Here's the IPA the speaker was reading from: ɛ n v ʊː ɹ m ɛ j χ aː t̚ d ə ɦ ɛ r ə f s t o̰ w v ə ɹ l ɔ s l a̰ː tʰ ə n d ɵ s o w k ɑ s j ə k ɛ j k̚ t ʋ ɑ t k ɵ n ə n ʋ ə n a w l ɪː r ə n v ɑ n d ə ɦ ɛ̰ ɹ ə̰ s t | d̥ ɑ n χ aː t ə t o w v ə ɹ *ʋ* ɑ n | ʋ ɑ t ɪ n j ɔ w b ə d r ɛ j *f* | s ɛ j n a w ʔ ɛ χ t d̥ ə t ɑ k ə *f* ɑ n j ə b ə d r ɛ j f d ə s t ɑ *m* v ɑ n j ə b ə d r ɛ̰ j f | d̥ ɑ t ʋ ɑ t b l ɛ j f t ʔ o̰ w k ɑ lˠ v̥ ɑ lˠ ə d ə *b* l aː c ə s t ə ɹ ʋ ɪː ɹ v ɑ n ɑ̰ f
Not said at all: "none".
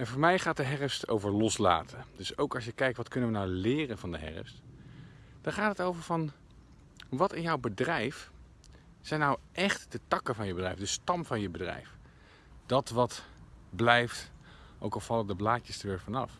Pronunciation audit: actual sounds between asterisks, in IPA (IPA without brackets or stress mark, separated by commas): v, f, v, m, b